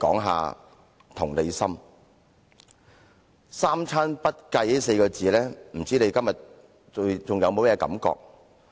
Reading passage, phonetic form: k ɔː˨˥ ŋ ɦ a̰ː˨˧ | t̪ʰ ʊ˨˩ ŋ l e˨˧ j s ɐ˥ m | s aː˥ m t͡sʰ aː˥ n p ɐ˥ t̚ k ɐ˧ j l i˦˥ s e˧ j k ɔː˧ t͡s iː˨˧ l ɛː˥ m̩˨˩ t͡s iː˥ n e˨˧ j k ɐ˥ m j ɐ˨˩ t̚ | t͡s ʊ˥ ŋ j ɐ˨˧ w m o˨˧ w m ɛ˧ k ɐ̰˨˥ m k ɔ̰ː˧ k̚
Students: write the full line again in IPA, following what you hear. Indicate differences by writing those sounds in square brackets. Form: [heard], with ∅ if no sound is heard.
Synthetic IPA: k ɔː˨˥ ŋ ɦ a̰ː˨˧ | t̪ʰ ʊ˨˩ ŋ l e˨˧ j s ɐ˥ m | s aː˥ m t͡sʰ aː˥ n p ɐ˥ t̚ k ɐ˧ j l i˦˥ s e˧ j k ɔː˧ t͡s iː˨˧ l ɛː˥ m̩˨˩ t͡s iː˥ n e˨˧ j k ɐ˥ m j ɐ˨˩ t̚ | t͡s [ʊ˨] ŋ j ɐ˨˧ w m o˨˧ w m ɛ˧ k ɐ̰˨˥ m k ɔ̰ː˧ k̚

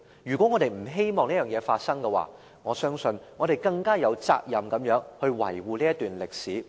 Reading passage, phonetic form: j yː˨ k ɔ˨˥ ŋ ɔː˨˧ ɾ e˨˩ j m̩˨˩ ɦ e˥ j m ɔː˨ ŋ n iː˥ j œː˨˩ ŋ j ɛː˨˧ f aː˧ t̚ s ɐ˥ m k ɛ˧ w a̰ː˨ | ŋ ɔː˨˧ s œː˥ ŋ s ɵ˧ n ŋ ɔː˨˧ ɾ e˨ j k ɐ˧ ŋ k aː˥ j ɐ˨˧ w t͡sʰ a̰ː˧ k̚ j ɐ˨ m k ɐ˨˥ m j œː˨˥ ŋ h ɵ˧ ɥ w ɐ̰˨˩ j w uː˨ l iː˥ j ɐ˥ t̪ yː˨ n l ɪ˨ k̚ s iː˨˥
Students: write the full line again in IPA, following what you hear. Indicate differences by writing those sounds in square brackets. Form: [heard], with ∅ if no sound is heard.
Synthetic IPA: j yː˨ k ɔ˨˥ ŋ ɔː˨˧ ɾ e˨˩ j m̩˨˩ ɦ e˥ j m ɔː˨ ŋ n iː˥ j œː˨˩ ŋ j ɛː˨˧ f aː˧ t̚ s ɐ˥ [ŋ] k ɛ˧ w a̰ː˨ | ŋ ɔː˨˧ s œː˥ ŋ s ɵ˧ n ŋ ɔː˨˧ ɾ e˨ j k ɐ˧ ŋ k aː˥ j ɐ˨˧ w [t͡s] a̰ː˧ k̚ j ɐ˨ m k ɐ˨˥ m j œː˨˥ ŋ h ɵ˧ ɥ w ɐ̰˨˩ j w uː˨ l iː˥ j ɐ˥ t̪ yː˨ n l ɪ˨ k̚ s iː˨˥

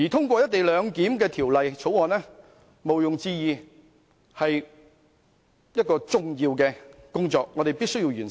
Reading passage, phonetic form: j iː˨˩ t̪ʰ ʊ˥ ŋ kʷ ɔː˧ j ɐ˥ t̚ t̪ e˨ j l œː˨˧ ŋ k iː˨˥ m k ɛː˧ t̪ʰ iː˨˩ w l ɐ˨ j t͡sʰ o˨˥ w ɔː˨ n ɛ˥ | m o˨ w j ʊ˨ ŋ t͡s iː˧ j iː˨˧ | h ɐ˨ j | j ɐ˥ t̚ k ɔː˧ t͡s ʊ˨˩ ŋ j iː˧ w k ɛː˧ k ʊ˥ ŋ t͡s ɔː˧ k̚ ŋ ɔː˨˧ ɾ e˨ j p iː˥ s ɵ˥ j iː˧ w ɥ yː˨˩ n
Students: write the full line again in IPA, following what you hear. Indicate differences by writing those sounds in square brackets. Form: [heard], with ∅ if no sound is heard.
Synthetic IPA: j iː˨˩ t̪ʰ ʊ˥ ŋ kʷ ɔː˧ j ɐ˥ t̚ t̪ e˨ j l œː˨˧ ŋ k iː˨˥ m k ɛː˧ t̪ʰ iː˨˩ w l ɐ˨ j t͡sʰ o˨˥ w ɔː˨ n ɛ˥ | m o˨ w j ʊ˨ ŋ t͡s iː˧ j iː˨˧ | h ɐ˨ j | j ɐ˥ t̚ k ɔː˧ t͡s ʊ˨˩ ŋ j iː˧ w k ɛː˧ k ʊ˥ ŋ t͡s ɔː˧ k̚ ŋ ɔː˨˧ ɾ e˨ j p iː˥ s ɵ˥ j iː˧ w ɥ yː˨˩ n

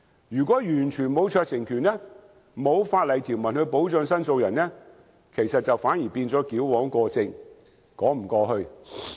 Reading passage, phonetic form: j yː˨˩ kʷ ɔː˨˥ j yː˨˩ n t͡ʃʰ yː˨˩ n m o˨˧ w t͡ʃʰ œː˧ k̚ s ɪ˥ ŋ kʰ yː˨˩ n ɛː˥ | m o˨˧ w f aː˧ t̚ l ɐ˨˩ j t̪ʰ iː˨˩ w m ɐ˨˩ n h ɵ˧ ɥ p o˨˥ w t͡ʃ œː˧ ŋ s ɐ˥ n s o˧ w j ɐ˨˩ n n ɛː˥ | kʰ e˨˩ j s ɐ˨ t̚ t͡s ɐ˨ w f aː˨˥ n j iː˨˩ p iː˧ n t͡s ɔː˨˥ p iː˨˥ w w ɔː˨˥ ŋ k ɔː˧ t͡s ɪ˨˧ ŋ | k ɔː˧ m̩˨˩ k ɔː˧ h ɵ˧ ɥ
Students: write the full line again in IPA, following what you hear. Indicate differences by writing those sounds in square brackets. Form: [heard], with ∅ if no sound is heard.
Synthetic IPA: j yː˨˩ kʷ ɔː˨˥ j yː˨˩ n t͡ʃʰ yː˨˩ n m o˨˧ w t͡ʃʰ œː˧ k̚ s [ɪ˨˩] ŋ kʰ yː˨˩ n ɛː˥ | m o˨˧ w f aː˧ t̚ l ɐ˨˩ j t̪ʰ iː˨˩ w m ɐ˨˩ n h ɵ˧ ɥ p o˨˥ w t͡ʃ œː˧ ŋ s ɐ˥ n s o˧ w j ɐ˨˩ n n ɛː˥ | kʰ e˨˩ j s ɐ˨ t̚ t͡s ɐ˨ w f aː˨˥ n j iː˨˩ p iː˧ n t͡s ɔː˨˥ [k] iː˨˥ w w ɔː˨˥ ŋ k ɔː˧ t͡s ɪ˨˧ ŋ | k [ɔː˨˥] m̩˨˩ k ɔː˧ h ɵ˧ ɥ

